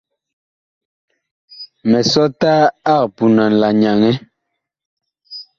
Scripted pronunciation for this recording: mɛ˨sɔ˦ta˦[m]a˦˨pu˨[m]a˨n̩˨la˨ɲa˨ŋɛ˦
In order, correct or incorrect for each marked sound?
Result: incorrect, incorrect

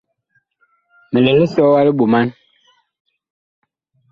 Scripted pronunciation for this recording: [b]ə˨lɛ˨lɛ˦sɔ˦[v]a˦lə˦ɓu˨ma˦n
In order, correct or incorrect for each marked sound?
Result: incorrect, incorrect

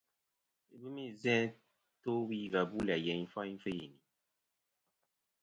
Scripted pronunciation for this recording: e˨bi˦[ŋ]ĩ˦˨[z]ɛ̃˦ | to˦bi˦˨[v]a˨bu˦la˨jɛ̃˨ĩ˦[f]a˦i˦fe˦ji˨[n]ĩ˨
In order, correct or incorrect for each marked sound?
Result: incorrect, correct, correct, correct, correct

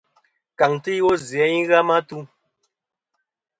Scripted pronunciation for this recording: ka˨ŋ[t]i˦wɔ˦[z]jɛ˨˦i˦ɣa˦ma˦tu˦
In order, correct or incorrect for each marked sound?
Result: correct, correct

